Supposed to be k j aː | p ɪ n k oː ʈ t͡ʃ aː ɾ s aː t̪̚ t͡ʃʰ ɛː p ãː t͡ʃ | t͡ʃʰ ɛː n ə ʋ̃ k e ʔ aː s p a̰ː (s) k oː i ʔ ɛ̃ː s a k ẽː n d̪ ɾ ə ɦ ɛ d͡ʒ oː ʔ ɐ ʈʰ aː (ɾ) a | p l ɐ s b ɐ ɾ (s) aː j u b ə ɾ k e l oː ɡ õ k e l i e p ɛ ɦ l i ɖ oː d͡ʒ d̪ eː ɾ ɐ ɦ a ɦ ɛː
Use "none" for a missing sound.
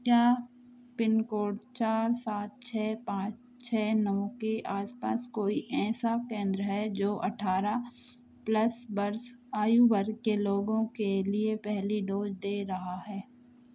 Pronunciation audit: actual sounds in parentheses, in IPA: s, ɾ, s

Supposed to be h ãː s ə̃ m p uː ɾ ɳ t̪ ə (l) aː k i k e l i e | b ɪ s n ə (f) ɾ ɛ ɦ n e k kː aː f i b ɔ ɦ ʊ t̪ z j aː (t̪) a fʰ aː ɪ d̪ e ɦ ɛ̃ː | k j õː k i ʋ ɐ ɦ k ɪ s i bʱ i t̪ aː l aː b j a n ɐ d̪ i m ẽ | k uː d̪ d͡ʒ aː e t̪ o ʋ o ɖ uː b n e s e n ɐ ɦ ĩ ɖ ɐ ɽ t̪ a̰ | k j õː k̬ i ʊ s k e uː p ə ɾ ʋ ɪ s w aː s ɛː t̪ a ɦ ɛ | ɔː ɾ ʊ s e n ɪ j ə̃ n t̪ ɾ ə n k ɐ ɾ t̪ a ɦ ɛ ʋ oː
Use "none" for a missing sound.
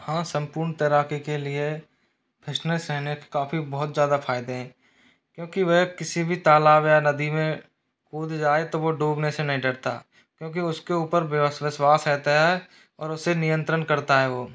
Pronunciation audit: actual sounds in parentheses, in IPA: ɾ, s, d̪

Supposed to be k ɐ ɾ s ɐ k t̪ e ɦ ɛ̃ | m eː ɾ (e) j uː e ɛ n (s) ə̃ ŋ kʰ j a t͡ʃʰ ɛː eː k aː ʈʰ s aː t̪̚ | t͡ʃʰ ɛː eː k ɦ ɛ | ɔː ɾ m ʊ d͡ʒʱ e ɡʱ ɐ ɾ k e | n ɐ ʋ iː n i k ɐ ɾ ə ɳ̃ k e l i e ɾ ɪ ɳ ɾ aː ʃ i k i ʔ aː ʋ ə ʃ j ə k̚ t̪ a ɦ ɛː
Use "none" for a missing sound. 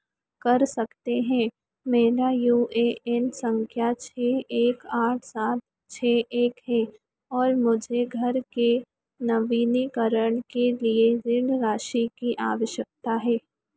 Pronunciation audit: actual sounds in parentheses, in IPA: a, s

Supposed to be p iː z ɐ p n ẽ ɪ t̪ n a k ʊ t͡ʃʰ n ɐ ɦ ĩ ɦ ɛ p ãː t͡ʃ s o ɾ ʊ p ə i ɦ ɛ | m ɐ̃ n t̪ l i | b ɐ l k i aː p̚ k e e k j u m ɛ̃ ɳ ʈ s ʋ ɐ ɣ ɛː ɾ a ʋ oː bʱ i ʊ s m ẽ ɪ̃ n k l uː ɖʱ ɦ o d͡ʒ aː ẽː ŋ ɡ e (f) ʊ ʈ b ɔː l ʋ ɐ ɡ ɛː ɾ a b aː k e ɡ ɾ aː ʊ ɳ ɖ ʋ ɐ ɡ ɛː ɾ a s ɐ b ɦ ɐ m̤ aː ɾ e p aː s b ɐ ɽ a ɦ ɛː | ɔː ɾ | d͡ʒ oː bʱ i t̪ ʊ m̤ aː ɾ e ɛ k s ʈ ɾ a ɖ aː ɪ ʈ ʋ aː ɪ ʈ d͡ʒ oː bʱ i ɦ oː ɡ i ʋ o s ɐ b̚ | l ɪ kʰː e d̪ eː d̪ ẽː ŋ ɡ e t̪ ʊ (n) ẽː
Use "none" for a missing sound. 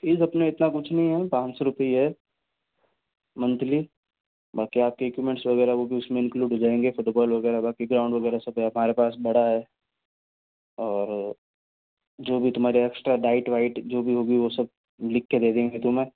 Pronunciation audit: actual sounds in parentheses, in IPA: f, m

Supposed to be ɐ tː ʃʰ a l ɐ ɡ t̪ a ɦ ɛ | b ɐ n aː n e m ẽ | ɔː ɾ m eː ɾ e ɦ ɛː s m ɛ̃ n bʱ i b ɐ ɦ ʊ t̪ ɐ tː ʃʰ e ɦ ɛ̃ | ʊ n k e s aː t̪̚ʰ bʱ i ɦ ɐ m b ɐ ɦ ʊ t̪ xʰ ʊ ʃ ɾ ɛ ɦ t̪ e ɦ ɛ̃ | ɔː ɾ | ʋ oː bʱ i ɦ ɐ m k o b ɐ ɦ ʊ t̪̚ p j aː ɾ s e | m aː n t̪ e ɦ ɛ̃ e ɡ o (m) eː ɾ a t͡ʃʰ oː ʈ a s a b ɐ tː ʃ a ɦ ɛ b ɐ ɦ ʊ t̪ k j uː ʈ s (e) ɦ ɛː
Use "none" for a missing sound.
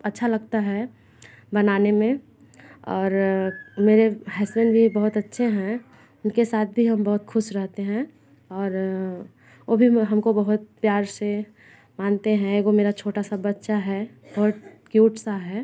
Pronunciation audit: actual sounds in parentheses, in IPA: m, a

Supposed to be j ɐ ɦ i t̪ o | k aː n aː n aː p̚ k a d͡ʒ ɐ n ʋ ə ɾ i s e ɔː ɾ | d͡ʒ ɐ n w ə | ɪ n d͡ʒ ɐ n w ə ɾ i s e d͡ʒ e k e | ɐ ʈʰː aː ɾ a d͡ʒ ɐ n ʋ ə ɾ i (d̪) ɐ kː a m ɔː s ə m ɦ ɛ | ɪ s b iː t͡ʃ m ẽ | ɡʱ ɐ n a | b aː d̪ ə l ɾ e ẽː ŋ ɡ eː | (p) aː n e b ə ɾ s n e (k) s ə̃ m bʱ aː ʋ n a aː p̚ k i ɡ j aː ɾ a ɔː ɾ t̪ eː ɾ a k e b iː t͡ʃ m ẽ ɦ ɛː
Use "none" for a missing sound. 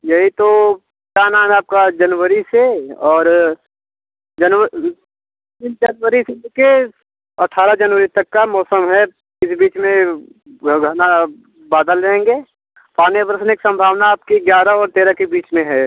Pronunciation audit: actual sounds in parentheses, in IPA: t̪, p, k

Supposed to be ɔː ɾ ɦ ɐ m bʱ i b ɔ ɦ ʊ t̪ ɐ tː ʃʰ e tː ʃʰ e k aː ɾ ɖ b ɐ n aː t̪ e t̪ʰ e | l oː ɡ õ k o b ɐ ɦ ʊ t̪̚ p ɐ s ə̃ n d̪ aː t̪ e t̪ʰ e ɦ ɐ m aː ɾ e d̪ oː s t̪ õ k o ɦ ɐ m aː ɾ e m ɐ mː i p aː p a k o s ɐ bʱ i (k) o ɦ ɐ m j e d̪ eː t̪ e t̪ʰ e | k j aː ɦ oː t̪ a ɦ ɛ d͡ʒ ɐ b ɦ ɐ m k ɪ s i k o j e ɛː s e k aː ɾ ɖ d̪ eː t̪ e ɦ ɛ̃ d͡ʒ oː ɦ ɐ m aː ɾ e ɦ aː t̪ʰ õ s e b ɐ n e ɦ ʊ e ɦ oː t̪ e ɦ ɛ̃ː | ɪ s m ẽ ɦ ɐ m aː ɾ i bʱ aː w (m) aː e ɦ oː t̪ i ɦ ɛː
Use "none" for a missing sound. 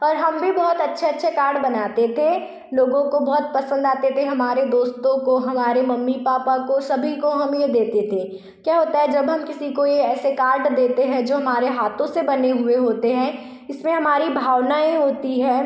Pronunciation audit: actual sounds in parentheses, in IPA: k, n

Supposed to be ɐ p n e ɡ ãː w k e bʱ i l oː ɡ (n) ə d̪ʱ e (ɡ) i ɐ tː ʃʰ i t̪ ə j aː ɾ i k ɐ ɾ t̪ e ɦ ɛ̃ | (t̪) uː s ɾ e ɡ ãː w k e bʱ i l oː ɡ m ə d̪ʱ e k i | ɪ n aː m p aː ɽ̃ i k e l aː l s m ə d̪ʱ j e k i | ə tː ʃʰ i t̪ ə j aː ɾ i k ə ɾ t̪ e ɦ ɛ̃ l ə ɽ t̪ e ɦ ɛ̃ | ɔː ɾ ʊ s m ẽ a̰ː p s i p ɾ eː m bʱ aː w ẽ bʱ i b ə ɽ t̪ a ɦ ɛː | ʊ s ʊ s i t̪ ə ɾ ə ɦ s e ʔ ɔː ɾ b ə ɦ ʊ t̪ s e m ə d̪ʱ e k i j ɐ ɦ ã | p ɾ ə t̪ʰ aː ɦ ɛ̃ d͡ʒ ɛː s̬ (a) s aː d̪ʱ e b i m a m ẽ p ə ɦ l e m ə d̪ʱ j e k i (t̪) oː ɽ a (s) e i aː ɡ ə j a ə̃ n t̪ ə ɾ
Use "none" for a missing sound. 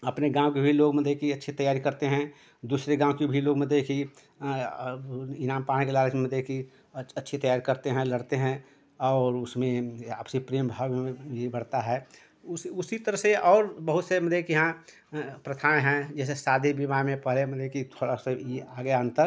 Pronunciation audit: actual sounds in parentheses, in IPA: m, k, d̪, e, t̪ʰ, s

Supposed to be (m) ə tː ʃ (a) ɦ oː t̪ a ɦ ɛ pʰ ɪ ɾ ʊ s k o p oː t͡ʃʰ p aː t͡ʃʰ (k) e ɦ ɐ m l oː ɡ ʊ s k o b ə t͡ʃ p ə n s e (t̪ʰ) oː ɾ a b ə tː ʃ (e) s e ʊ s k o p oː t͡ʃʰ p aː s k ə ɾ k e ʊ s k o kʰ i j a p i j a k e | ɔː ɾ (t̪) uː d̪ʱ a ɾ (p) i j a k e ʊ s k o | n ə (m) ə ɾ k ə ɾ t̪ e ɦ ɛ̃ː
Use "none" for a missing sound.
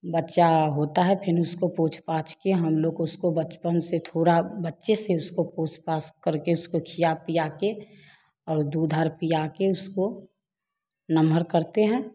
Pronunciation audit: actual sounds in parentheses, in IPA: b, a, k, t̪ʰ, e, d̪, p, m

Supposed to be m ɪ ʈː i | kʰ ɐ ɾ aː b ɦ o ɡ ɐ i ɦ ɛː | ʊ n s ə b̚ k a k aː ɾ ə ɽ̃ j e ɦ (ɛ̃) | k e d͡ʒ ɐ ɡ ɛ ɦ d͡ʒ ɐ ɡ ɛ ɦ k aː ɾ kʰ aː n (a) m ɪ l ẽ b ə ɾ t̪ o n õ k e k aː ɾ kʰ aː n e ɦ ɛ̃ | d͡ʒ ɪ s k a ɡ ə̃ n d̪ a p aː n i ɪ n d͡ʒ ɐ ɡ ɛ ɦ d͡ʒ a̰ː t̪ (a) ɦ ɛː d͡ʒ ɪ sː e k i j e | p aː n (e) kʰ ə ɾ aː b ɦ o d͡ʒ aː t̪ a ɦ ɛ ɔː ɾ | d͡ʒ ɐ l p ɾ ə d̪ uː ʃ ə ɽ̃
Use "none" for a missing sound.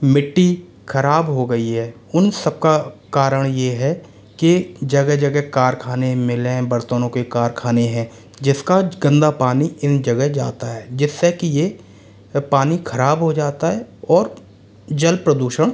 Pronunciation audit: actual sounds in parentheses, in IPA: ɛ, e, a, i

